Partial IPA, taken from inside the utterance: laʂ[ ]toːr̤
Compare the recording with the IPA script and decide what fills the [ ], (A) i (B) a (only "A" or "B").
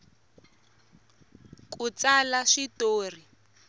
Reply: A